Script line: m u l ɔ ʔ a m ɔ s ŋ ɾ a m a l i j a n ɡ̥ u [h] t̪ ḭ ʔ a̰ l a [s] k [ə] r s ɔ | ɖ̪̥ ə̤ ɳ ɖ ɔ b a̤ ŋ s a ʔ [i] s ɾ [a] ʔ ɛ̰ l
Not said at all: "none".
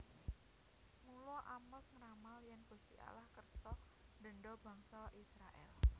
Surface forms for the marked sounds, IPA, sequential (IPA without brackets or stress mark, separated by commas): s, h, ə, i, a